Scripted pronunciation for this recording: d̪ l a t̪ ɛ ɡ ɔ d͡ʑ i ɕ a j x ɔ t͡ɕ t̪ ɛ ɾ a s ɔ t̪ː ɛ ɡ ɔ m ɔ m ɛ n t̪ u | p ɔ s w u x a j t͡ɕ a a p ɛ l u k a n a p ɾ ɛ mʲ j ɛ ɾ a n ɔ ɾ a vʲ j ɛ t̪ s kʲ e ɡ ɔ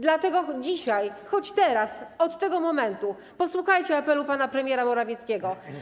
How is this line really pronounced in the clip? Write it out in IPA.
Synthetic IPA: d̪ l a t̪ ɛ ɡ ɔ d͡ʑ i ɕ a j x ɔ t͡ɕ t̪ ɛ ɾ a s ɔ t̪ː ɛ ɡ ɔ m ɔ m ɛ n t̪ u | p ɔ s w u x a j t͡ɕ ɛ a p ɛ l u p a n a p ɾ ɛ mʲ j ɛ ɾ a m ɔ ɾ a vʲ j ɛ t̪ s kʲ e ɡ ɔ